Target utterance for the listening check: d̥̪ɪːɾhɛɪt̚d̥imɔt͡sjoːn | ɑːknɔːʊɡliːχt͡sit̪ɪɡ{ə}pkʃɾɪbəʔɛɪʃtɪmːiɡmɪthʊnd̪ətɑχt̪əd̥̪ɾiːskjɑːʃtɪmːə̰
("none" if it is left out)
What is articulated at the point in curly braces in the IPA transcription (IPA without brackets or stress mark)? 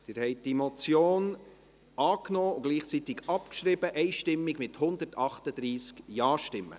ɑ